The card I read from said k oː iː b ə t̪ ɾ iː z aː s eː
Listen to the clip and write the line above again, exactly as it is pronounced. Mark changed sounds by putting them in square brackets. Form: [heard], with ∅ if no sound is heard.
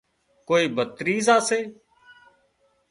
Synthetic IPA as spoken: k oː iː b ə t̪ ɾ iː z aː s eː